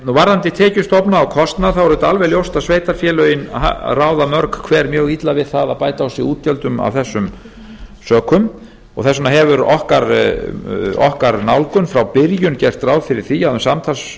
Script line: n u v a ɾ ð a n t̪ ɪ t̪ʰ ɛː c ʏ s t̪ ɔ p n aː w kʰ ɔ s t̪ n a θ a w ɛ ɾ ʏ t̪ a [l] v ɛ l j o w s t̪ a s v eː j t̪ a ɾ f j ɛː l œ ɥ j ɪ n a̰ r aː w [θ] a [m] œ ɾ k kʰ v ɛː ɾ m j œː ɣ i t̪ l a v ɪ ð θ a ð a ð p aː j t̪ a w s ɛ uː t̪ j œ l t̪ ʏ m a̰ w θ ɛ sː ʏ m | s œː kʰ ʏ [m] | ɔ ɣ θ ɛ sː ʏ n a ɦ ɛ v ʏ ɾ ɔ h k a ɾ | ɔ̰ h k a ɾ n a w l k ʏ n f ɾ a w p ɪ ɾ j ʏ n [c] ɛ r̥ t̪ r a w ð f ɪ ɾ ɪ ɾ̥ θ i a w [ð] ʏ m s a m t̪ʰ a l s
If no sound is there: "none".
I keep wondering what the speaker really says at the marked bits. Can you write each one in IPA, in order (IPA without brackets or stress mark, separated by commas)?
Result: l, ð, m, m, c, ð